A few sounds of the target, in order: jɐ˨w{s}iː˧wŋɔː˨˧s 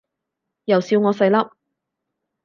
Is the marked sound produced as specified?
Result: yes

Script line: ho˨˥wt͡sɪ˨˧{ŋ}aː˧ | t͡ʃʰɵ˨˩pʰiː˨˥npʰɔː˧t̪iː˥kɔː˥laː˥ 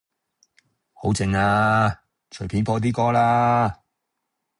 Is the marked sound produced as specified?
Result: yes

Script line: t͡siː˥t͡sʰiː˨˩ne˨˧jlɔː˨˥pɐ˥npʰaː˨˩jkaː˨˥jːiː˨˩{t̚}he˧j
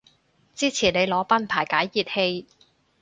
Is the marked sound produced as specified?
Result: yes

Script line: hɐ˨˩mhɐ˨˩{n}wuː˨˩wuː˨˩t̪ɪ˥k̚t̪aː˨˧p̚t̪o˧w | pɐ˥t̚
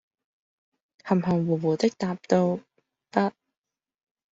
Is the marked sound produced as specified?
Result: no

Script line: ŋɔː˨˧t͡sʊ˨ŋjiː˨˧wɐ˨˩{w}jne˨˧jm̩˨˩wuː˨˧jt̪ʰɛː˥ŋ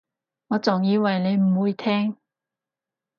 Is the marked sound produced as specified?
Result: no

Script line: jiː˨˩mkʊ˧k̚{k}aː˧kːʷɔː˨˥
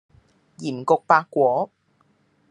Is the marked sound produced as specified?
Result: no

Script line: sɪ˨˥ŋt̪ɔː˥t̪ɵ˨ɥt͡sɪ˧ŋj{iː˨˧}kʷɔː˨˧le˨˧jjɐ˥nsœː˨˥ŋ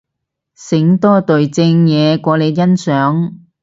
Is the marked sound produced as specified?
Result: no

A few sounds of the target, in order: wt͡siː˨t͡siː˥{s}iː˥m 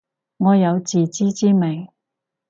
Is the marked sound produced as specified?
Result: no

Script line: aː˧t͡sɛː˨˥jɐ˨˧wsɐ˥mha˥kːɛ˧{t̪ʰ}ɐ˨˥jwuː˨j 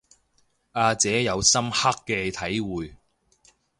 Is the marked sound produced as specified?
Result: yes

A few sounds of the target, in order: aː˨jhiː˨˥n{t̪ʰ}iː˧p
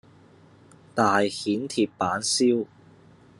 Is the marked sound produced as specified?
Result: yes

